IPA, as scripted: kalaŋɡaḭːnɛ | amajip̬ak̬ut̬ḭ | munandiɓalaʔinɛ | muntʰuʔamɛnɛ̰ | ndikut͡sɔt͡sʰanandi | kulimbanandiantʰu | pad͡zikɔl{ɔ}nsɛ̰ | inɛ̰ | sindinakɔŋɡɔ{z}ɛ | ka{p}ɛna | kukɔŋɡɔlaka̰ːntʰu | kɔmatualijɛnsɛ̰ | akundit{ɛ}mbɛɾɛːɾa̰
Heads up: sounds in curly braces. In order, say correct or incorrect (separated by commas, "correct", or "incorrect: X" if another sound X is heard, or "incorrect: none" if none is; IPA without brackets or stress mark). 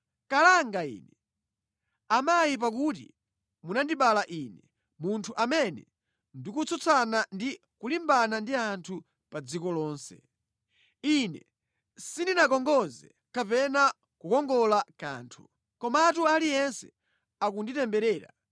incorrect: ɔː, correct, correct, correct